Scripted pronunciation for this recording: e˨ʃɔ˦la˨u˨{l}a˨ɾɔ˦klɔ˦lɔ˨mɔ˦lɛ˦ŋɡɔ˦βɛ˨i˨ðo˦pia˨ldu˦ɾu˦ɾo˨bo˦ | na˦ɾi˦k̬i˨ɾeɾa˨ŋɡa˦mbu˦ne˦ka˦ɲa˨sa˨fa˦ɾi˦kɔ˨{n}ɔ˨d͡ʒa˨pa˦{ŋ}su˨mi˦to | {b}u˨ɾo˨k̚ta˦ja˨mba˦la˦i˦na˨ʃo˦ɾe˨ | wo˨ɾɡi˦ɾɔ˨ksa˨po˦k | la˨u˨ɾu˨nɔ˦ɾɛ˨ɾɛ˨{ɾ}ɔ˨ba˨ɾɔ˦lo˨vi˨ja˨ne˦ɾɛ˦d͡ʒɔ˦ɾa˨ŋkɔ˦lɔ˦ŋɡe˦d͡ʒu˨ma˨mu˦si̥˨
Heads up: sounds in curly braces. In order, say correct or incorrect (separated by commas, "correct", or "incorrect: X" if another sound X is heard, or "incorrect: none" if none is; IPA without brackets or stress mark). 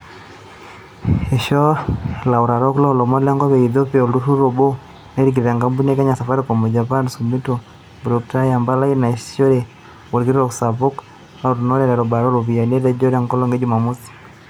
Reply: incorrect: ɾ, incorrect: m, incorrect: n, correct, correct